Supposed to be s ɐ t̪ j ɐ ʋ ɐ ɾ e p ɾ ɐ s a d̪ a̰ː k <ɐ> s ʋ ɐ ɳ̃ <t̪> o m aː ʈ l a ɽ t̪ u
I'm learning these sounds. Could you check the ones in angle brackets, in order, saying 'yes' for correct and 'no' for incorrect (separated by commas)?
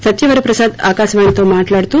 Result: no, yes